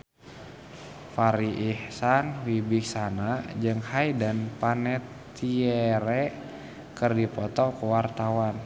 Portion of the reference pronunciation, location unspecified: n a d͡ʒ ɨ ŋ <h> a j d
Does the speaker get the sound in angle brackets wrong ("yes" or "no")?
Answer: no